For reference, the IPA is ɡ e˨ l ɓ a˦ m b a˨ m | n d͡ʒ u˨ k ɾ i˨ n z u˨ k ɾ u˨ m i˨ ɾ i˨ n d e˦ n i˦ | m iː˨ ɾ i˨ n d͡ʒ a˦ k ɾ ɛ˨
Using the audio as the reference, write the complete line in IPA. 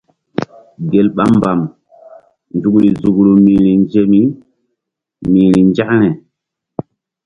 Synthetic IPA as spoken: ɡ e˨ l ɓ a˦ m b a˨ m | n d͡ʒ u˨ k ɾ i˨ z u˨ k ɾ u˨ m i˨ ɾ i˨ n d͡ʒ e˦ m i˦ | m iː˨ ɾ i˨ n d͡ʒ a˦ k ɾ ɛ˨